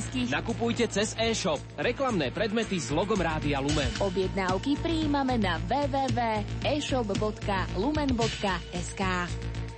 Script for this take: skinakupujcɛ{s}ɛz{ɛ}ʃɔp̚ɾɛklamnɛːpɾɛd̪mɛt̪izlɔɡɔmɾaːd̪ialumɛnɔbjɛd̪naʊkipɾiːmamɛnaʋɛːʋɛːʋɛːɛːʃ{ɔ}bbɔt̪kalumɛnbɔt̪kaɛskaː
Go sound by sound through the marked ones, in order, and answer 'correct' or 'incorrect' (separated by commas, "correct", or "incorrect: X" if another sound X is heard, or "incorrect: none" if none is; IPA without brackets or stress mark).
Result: incorrect: t͡s, incorrect: ɛː, correct